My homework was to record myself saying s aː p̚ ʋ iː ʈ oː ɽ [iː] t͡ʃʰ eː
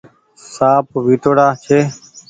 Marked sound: incorrect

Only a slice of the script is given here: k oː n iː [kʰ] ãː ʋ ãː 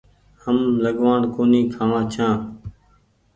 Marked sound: correct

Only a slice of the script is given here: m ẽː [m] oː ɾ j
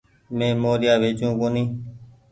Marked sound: correct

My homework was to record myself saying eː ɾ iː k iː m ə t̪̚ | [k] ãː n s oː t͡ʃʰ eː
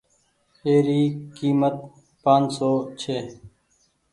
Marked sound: incorrect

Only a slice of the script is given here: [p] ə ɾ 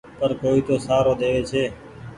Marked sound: correct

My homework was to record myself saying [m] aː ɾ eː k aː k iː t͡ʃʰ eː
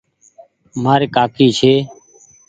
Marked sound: correct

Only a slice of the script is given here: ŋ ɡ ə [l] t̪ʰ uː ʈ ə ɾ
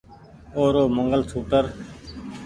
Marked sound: correct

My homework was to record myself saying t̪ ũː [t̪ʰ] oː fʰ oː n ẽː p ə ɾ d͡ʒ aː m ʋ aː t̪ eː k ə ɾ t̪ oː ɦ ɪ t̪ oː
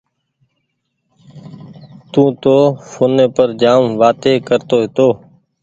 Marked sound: incorrect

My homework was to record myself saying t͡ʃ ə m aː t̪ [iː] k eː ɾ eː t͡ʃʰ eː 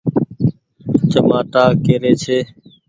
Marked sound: incorrect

